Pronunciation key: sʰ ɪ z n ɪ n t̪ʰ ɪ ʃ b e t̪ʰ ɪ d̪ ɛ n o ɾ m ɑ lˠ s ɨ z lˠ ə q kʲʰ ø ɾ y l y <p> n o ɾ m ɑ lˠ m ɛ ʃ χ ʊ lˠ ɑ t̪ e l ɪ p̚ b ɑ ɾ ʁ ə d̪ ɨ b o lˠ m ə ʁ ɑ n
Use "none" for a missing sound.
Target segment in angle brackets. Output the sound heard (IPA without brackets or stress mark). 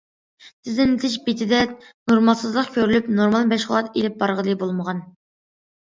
p